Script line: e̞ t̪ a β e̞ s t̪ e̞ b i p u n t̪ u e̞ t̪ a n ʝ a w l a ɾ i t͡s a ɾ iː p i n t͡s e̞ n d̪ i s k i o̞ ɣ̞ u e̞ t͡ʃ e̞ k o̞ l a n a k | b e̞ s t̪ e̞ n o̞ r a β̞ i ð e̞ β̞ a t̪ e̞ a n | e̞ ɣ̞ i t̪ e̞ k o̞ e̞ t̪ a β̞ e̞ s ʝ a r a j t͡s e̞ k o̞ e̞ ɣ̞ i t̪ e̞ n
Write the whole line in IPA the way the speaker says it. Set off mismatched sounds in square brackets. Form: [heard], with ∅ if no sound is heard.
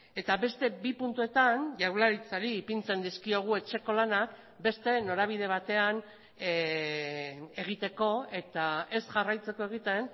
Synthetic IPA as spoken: e̞ t̪ a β e̞ s t̪ e̞ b i p u n t̪ u e̞ t̪ a n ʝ a w l a ɾ i t͡s a ɾ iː p i n t͡s e̞ n d̪ i s k i o̞ ɣ̞ u e̞ t͡ʃ e̞ k o̞ l a n a k | b e̞ s t̪ e̞ n o̞ [ɾ] a β̞ i ð e̞ β̞ a t̪ e̞ a n | e̞ ɣ̞ i t̪ e̞ k o̞ e̞ t̪ a [∅] e̞ s ʝ a r a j t͡s e̞ k o̞ e̞ ɣ̞ i t̪ e̞ n

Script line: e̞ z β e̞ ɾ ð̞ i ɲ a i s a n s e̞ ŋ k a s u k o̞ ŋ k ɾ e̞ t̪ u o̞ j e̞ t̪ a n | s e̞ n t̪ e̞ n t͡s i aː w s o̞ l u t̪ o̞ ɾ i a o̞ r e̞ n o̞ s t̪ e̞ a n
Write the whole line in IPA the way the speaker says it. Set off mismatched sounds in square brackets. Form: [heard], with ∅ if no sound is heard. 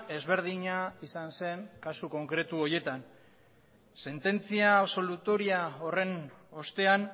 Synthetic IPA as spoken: e̞ z β e̞ ɾ ð̞ i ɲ a i s a n s e̞ ŋ k a s u k o̞ ŋ k ɾ e̞ t̪ u o̞ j e̞ t̪ a n | s e̞ n t̪ e̞ n t͡s i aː [β] s o̞ l u t̪ o̞ ɾ i a o̞ r e̞ n o̞ s t̪ e̞ a n

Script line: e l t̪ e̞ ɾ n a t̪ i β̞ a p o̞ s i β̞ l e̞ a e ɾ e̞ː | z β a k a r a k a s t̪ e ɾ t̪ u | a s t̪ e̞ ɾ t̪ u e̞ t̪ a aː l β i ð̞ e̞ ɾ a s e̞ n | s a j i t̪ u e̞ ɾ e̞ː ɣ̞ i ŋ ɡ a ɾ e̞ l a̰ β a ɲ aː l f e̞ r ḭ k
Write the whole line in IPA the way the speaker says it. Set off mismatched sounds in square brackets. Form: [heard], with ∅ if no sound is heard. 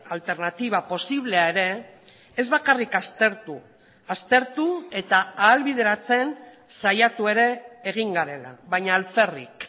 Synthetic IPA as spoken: [a] l t̪ e̞ ɾ n a t̪ i β̞ a p o̞ s i β̞ l e̞ a e ɾ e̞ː | z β a k a r [i] k a s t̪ e ɾ t̪ u | a s t̪ e̞ ɾ t̪ u e̞ t̪ a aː l β i ð̞ e̞ ɾ a [t͡s] e̞ n | s a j [a] t̪ u e̞ ɾ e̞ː ɣ̞ i ŋ ɡ a ɾ e̞ l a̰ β a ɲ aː l f e̞ r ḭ k

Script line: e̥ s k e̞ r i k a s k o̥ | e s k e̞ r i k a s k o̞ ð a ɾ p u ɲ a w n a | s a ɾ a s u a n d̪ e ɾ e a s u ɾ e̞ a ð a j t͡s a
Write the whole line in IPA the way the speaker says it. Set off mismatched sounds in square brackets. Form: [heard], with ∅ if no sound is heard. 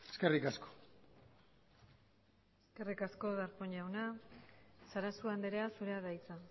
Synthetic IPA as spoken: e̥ s k e̞ r i k a s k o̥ | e s k e̞ r i k a s k o̞ ð a ɾ p [o] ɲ a w n a | s a ɾ a s u a n d̪ e ɾ e a s u ɾ e̞ a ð a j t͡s a

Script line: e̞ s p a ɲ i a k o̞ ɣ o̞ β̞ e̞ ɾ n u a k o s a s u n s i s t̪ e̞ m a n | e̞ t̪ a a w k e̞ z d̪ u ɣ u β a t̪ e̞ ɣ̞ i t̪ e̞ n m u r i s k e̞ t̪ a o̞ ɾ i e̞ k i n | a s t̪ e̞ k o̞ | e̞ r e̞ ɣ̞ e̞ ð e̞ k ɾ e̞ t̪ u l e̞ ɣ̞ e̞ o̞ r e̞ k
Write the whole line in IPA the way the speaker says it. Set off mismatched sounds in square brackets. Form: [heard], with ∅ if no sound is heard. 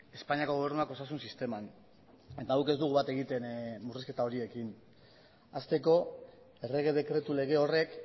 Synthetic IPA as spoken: e̞ s p a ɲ i a k o̞ ɣ o̞ β̞ e̞ ɾ n u a k o s a s u n s i s t̪ e̞ m a n | e̞ t̪ a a w k e̞ z d̪ u ɣ u β a t̪ e̞ ɣ̞ i t̪ e̞ n m u r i s k e̞ t̪ a o̞ ɾ i e̞ k i n | a s t̪ e̞ k o̞ | e̞ r e̞ ɣ̞ e̞ ð e̞ k ɾ e̞ t̪ u l e̞ ɣ̞ e̞ o̞ r e̞ k

